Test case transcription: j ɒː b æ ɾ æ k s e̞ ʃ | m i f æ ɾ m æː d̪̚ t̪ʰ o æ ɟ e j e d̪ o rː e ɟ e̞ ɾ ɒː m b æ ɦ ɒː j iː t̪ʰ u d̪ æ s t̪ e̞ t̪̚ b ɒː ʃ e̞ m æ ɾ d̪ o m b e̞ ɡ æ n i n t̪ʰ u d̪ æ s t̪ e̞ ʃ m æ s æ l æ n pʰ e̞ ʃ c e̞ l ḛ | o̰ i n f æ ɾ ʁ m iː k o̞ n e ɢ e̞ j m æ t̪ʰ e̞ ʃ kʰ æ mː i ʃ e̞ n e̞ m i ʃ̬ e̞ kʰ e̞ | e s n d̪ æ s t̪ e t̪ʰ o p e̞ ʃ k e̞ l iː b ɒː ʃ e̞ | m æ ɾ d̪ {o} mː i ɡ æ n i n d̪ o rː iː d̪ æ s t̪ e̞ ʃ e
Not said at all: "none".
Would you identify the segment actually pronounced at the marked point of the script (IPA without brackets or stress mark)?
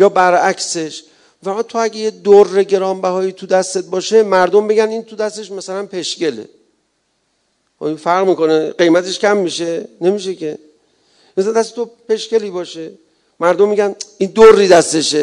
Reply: o